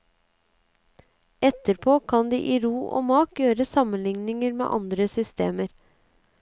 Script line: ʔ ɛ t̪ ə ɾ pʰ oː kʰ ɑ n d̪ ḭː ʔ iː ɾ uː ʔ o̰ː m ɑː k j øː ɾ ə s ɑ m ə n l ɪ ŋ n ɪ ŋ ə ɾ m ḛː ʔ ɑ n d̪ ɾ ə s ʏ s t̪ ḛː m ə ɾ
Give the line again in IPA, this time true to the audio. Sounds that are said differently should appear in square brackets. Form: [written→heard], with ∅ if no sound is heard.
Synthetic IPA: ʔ ɛ t̪ ə ɾ pʰ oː kʰ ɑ n d̪ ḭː ʔ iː ɾ uː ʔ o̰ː m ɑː k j øː ɾ ə s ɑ m ə n l ɪ ŋ n ɪ ŋ ə ɾ m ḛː ʔ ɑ n d̪ ɾ ə s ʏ s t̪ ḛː m ə ɾ